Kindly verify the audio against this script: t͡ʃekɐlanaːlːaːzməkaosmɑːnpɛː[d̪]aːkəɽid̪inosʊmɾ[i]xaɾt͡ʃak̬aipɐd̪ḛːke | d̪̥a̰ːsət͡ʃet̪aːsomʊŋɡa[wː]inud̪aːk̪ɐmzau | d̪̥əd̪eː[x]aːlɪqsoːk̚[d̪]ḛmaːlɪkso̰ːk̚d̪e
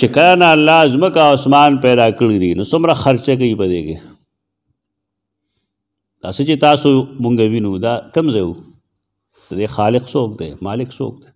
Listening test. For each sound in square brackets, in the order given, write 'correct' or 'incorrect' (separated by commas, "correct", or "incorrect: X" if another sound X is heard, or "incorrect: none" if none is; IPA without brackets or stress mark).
correct, incorrect: a, incorrect: w, correct, correct